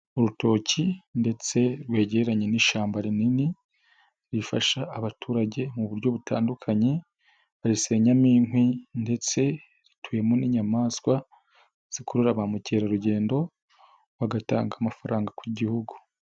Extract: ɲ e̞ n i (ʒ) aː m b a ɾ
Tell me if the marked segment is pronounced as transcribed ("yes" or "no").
no